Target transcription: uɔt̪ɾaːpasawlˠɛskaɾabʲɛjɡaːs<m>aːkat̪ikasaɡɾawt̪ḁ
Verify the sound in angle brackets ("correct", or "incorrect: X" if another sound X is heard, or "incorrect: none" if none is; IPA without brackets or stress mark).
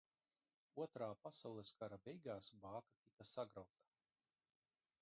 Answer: incorrect: b